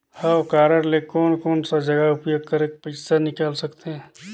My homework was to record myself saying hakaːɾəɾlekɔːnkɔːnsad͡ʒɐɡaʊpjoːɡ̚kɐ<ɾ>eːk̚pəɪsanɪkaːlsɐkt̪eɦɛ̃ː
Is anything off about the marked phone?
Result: no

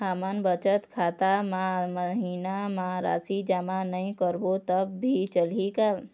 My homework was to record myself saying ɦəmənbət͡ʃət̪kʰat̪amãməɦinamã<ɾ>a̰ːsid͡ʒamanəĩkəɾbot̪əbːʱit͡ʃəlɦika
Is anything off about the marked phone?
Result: no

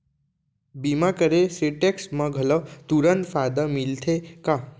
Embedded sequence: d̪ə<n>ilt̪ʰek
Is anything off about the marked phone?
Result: yes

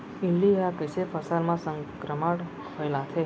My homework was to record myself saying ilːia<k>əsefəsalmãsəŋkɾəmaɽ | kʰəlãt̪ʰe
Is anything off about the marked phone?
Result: no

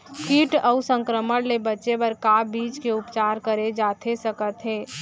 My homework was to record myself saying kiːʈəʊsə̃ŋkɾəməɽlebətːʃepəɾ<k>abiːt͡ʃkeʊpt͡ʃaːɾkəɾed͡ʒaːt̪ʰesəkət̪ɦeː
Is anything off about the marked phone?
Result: no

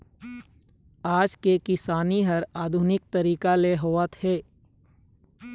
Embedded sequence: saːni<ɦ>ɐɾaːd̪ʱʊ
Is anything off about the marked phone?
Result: no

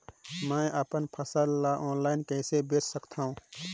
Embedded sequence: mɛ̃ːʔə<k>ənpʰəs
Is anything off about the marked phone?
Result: yes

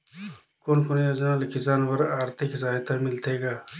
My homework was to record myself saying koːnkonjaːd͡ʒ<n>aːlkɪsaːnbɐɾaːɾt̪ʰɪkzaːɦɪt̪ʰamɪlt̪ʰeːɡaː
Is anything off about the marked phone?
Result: no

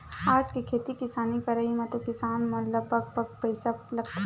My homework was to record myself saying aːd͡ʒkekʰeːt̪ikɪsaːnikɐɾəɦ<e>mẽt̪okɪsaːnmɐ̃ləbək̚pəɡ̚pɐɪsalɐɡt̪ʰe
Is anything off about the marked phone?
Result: yes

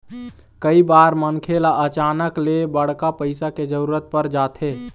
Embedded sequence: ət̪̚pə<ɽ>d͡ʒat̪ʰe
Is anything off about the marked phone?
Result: yes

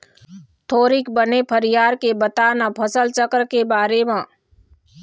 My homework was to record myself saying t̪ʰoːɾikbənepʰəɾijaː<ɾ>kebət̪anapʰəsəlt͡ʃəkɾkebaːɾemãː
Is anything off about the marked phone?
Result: no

